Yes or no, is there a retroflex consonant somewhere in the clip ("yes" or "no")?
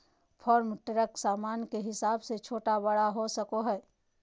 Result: yes